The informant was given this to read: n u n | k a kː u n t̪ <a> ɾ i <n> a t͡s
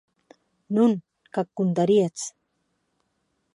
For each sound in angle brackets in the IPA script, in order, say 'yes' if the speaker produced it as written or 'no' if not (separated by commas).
yes, no